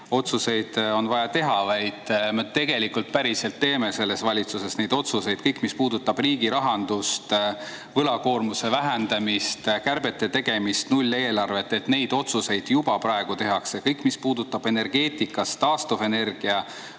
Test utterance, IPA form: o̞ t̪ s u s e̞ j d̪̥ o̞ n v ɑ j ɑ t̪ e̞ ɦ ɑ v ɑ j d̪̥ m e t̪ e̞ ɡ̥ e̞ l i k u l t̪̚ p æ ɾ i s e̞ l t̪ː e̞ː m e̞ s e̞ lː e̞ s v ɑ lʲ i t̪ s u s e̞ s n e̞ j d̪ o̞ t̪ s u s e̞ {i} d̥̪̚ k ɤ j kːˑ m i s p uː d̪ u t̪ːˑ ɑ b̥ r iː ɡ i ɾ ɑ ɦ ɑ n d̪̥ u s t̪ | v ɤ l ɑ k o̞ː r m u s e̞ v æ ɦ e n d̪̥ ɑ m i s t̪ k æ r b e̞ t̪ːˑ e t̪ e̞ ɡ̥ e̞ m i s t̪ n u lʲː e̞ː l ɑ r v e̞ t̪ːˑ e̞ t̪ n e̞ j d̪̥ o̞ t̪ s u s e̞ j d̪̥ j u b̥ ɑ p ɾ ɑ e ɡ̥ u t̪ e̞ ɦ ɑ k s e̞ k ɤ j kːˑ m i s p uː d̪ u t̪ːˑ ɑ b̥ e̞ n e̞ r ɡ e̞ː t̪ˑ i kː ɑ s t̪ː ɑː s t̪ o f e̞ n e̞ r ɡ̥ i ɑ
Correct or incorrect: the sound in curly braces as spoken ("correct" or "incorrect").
incorrect